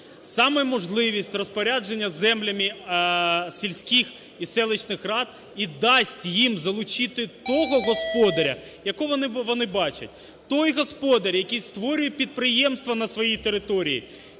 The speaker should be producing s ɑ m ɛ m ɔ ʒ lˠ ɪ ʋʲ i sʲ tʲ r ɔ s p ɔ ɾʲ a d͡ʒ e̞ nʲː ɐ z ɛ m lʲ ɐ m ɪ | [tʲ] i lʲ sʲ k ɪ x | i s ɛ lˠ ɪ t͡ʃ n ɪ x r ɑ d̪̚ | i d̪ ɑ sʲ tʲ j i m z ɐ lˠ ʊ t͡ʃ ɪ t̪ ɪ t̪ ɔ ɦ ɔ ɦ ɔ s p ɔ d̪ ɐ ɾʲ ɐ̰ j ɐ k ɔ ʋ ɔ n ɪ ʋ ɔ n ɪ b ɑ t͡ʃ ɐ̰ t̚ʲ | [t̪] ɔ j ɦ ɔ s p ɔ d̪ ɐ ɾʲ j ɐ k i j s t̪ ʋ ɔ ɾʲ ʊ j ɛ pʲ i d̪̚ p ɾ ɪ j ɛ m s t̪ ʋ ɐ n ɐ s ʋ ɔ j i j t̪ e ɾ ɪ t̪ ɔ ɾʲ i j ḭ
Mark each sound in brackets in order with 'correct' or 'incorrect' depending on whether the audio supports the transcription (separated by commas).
incorrect, correct